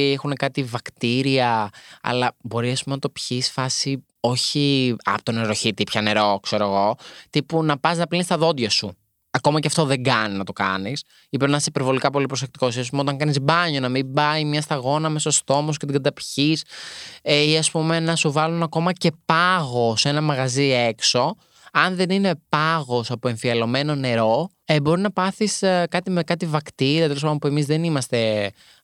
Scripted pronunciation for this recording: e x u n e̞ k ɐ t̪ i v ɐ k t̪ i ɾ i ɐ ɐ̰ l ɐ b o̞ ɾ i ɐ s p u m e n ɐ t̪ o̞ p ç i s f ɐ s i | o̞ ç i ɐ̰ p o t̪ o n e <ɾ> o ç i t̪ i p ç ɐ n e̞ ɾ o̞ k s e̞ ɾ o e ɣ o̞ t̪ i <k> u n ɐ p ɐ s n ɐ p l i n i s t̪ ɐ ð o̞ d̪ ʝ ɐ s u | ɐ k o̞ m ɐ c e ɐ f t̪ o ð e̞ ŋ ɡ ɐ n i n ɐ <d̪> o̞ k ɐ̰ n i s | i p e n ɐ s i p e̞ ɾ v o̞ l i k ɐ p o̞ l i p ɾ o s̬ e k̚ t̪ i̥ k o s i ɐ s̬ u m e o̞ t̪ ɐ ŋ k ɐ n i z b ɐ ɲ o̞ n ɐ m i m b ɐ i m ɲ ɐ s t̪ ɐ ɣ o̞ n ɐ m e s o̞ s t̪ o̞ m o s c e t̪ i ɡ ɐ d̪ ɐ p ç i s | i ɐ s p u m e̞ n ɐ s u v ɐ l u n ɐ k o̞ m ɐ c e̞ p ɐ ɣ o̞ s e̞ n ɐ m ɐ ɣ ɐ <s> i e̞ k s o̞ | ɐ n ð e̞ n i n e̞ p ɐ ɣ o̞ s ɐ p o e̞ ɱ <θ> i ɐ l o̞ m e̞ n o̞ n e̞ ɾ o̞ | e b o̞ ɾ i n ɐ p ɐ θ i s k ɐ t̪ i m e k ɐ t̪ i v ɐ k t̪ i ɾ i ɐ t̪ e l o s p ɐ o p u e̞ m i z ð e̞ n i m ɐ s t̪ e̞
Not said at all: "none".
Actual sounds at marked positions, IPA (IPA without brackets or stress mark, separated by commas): ɾ, p, t̪, z, f